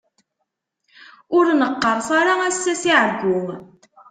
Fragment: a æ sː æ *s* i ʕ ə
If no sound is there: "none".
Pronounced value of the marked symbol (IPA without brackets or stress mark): s